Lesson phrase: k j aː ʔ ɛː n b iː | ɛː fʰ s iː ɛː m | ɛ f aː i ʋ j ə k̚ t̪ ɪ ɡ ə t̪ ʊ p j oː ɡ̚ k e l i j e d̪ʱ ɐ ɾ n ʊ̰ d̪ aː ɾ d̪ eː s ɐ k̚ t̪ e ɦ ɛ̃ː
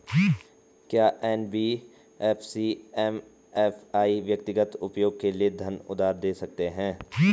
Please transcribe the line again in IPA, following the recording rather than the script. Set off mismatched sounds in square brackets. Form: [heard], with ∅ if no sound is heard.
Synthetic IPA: k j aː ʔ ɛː n b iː | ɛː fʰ s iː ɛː m | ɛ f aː i ʋ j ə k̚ t̪ ɪ ɡ ə t̪ ʊ p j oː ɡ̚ k e l i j e d̪ʱ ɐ [∅] n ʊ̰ d̪ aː ɾ d̪ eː s ɐ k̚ t̪ e ɦ ɛ̃ː

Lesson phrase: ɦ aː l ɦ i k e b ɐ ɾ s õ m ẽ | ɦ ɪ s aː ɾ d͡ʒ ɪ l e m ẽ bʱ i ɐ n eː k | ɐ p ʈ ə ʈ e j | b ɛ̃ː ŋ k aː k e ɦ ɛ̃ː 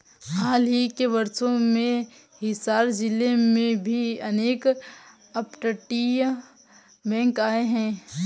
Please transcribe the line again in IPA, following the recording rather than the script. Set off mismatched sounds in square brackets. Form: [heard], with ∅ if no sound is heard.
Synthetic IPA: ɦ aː l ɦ i k e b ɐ ɾ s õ m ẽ | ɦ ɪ s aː ɾ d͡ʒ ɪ l e m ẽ bʱ i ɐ n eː k | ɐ p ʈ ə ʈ [i] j | b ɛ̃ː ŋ k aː [∅] e ɦ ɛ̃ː

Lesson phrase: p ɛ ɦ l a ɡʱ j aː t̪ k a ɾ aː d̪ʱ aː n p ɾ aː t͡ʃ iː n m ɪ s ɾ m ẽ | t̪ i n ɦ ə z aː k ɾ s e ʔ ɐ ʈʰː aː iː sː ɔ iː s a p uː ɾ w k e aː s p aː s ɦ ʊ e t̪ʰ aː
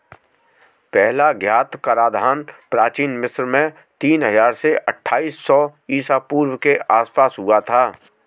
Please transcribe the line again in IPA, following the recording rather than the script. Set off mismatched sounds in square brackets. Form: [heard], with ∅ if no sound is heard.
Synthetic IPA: p ɛ ɦ l a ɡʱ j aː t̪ k a ɾ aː d̪ʱ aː n p ɾ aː t͡ʃ iː n m ɪ s ɾ m ẽ | t̪ [iː] n ɦ ə z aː [∅] ɾ s e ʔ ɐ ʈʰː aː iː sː ɔ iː s a p uː ɾ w k e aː s p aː s ɦ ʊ [a] t̪ʰ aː

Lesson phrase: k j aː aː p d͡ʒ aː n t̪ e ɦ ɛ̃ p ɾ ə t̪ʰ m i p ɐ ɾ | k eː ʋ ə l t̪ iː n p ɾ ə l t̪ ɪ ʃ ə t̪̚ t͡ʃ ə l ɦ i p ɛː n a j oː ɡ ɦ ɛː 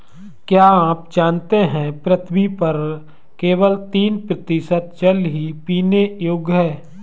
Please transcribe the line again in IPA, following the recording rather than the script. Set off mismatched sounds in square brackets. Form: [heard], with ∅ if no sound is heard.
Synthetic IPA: k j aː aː p d͡ʒ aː n t̪ e ɦ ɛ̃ p ɾ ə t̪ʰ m i p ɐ ɾ | k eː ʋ ə l t̪ iː n p ɾ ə [∅] t̪ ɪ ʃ ə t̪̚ t͡ʃ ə l ɦ i p [iː] n [e] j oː ɡ ɦ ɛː

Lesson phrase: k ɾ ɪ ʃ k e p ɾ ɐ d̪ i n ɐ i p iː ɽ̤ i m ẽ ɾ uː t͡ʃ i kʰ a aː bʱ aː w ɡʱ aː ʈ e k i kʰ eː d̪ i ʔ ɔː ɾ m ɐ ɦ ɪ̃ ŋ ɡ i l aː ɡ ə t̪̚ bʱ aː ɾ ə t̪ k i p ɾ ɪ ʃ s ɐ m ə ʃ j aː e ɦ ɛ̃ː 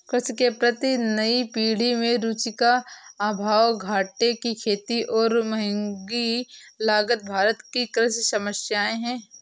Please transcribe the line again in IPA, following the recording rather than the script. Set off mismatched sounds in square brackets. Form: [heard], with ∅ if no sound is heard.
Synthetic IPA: k ɾ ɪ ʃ k e p ɾ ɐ [t̪] i n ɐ i p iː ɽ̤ i m ẽ ɾ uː t͡ʃ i [k] a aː bʱ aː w ɡʱ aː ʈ e k i kʰ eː [t̪] i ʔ ɔː ɾ m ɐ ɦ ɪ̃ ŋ ɡ i l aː ɡ ə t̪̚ bʱ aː ɾ ə t̪ k i [k] ɾ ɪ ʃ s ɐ m ə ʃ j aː e ɦ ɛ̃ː

